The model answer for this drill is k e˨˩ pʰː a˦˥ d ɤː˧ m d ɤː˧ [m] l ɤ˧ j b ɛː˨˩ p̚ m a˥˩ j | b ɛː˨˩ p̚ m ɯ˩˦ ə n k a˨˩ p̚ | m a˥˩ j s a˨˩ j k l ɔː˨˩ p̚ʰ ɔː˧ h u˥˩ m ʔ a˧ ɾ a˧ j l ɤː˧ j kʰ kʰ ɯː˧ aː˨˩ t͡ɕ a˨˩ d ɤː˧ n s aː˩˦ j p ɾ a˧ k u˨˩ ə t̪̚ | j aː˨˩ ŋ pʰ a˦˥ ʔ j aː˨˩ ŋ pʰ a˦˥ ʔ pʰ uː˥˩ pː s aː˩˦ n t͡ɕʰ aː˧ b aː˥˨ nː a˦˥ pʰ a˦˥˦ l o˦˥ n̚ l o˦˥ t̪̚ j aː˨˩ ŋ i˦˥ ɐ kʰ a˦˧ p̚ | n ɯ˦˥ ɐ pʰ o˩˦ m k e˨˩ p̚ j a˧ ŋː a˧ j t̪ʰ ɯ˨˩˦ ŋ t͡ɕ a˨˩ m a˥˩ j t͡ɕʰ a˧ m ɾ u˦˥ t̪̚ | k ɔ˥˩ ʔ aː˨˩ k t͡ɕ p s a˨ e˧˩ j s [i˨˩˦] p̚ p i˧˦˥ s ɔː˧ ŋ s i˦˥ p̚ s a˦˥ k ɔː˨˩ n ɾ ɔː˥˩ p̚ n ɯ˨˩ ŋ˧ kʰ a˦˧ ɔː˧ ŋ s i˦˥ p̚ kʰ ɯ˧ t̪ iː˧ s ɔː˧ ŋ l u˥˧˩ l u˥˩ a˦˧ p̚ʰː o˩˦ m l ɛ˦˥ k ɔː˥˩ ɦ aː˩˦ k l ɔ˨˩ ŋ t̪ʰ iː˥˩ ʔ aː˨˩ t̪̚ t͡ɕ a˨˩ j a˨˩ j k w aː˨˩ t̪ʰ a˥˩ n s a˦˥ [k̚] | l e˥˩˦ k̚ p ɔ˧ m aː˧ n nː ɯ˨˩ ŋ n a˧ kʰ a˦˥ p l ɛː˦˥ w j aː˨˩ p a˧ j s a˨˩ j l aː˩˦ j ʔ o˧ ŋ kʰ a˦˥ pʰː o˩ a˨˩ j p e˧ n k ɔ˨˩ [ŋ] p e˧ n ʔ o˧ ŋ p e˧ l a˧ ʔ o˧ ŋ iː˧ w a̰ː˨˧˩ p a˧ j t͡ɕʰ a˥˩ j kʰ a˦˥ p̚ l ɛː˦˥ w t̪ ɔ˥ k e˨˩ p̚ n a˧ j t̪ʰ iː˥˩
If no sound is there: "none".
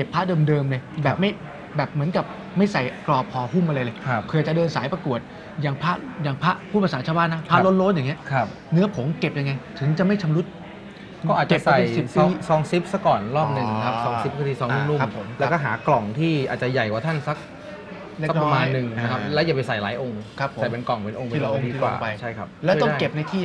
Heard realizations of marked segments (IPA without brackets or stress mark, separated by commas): m, i˨˩, k̚, ŋ